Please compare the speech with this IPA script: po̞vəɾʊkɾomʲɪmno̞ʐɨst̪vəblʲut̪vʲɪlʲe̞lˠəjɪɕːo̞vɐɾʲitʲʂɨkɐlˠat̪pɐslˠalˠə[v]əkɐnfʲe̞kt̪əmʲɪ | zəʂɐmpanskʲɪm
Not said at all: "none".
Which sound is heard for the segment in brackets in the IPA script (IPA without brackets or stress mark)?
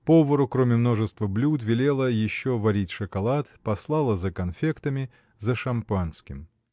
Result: z